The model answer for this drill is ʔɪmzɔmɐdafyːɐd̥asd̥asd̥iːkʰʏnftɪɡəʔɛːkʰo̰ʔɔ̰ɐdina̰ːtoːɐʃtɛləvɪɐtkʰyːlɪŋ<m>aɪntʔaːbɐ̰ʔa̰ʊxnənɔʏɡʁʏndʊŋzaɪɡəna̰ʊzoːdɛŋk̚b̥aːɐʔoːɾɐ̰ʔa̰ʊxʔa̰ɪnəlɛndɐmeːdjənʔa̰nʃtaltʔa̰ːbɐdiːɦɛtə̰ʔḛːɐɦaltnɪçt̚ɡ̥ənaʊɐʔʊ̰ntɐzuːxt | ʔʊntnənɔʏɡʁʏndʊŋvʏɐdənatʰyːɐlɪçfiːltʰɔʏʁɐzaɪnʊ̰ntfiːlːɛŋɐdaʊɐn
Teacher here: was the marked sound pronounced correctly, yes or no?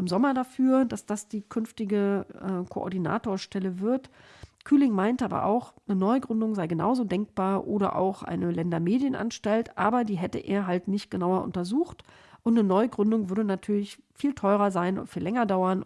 yes